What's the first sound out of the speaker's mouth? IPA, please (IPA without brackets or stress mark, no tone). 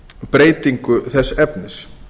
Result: p